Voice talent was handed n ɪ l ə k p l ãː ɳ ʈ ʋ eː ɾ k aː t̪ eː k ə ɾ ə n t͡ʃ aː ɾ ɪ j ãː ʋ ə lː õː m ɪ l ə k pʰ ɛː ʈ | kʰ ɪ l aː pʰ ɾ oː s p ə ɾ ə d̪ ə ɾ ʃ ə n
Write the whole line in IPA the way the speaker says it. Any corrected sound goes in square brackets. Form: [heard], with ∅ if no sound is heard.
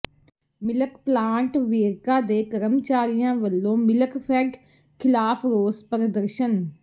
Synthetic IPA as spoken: [m] ɪ l ə k p l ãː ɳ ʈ ʋ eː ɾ k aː [d̪] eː k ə ɾ ə [m] t͡ʃ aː ɾ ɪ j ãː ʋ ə lː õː m ɪ l ə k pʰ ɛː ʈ | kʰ ɪ l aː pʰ ɾ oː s p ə ɾ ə d̪ ə ɾ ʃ ə n